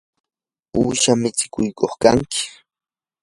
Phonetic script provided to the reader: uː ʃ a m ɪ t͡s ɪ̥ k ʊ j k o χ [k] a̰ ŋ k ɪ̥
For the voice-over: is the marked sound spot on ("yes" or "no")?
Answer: yes